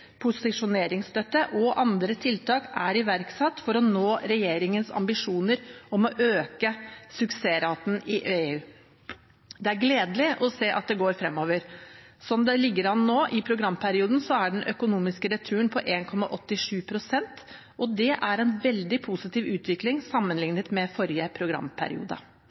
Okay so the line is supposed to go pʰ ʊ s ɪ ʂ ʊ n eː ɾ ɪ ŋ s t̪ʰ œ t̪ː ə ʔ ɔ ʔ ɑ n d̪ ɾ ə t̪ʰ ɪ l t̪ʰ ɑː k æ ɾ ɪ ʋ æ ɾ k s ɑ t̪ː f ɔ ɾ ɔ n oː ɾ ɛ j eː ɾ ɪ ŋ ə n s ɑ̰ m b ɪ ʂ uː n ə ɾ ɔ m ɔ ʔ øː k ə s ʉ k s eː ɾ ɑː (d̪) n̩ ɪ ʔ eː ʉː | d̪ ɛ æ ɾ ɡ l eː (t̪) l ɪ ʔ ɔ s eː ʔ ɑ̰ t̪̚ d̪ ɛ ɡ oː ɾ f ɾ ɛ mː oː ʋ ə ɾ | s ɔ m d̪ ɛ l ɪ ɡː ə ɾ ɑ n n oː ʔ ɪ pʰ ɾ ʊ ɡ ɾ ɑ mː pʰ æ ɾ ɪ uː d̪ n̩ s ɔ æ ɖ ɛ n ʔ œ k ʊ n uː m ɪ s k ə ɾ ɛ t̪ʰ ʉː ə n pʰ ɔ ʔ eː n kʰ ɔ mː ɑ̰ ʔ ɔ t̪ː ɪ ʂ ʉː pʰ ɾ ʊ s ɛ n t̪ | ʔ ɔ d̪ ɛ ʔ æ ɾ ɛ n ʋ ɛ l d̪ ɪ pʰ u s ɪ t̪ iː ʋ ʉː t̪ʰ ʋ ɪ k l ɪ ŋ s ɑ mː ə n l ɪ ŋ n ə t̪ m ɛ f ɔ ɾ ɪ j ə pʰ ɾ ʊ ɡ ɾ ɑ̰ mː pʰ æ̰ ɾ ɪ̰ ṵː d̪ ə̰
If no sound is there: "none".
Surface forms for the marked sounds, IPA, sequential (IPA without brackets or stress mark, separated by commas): t̪, d̪